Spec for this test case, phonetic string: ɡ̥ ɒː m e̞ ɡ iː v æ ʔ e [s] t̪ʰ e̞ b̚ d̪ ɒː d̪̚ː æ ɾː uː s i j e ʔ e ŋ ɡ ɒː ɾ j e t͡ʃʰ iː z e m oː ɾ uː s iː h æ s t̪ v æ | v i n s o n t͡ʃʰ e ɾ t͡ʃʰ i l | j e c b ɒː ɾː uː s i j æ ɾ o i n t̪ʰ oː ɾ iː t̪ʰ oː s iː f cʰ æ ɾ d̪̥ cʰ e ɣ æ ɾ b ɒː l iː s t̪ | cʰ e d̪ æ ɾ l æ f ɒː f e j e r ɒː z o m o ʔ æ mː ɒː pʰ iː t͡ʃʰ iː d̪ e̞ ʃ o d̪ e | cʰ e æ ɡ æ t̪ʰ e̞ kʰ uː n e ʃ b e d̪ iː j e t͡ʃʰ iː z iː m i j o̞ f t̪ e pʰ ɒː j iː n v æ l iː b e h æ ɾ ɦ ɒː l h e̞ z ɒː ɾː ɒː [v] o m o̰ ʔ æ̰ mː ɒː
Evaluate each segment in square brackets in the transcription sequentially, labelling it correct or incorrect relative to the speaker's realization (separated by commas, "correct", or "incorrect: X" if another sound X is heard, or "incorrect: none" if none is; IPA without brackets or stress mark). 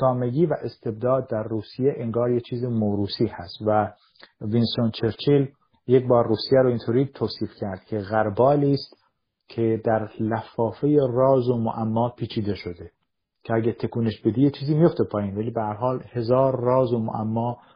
correct, incorrect: z